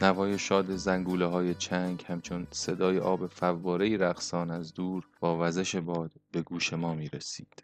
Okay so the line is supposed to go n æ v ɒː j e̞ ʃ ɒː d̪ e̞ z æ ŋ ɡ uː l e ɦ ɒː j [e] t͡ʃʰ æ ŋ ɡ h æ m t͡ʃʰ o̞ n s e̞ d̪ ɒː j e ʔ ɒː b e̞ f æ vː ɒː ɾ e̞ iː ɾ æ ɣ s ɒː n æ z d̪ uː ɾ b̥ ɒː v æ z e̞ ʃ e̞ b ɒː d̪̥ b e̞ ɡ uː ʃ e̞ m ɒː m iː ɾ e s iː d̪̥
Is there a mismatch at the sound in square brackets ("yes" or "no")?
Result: no